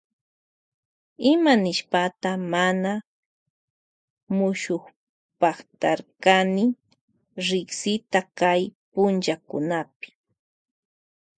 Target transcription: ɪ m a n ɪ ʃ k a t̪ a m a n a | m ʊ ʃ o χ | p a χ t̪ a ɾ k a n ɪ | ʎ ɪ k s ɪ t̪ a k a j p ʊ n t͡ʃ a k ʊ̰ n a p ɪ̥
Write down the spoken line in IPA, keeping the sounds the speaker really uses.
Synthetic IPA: ɪ m a n ɪ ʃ p a t̪ a m a n a | m ʊ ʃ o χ | p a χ t̪ a ɾ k a n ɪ | ɾ ɪ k s ɪ t̪ a k a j p ʊ n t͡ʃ a k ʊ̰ n a p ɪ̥